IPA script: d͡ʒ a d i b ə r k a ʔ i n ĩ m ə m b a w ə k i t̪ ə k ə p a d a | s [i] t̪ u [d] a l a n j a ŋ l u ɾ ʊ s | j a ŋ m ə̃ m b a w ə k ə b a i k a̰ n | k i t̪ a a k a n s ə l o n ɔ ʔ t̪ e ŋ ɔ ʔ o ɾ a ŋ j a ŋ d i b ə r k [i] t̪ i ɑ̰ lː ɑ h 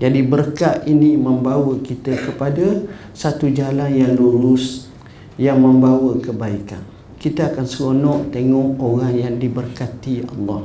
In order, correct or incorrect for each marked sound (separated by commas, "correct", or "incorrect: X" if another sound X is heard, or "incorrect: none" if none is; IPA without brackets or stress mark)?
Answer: incorrect: a, incorrect: d͡ʒ, incorrect: a